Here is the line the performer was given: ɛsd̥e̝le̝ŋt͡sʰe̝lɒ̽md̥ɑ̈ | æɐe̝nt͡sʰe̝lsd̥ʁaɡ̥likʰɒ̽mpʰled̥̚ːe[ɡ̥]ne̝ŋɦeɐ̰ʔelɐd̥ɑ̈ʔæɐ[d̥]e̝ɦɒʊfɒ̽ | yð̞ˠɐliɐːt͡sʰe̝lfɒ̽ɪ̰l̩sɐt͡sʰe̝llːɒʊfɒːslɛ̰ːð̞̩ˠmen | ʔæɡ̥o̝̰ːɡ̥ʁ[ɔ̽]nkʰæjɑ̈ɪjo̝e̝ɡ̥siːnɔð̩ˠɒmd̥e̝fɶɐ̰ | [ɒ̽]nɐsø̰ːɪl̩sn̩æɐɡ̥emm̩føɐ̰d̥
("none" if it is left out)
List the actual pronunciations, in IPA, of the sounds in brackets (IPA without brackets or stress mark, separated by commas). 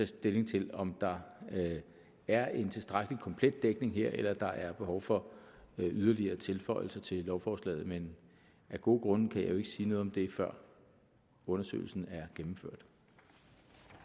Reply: ɡ̥, b̥, ɔ̽, ɔ̽